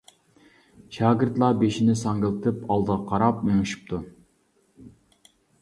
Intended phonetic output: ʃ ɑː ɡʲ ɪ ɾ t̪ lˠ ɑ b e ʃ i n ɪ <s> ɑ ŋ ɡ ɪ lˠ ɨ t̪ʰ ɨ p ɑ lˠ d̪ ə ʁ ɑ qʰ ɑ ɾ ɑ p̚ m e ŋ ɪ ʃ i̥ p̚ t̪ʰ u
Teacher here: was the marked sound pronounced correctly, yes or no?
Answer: yes